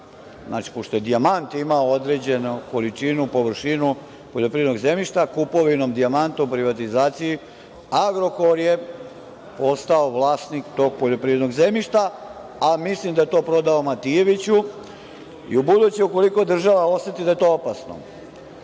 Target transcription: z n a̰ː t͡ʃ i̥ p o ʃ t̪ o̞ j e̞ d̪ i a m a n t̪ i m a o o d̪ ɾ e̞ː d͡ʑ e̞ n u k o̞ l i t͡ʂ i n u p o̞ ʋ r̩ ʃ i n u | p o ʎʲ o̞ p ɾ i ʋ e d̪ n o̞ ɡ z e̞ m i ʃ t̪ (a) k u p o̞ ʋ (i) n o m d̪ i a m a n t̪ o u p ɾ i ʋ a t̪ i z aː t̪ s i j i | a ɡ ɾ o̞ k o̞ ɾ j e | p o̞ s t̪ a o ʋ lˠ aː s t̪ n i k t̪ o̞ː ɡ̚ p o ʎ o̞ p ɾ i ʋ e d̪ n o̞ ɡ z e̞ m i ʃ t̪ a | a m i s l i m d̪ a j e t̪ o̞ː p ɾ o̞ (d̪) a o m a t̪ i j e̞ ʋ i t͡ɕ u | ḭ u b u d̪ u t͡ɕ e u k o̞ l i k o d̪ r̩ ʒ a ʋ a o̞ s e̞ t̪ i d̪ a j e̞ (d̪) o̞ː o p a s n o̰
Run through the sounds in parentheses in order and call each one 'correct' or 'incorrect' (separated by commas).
correct, correct, correct, incorrect